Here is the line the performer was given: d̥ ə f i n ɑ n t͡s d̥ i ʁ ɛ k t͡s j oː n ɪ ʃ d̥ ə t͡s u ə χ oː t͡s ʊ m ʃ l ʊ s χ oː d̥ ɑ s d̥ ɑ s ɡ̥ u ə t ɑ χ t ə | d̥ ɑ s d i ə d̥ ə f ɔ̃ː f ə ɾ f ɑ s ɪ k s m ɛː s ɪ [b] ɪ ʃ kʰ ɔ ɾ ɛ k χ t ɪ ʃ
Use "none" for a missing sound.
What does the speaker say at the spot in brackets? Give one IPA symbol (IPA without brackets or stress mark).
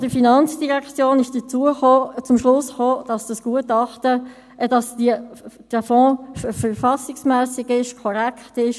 ɡ